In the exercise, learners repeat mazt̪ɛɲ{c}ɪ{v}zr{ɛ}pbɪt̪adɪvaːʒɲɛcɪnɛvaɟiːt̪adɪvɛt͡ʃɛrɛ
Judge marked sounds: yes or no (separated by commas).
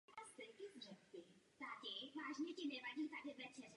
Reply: no, no, yes